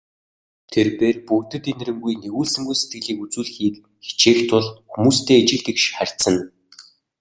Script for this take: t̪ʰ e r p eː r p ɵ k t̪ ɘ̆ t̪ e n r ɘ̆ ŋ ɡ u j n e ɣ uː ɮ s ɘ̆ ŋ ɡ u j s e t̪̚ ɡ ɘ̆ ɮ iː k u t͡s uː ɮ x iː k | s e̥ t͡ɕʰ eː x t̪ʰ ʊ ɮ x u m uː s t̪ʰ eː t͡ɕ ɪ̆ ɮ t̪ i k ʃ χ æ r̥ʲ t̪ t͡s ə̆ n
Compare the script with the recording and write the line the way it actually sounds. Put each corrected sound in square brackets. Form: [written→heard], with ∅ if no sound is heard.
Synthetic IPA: t̪ʰ e r p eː r p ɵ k t̪ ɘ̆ t̪ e n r ɘ̆ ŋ ɡ u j n e ɣ uː ɮ s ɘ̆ ŋ ɡ u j s e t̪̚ ɡ ɘ̆ ɮ iː k u t͡s uː ɮ x iː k | [s→x] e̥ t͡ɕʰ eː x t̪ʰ ʊ ɮ x u m uː s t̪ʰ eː t͡ɕ ɪ̆ ɮ t̪ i k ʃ χ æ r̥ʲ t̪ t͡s ə̆ n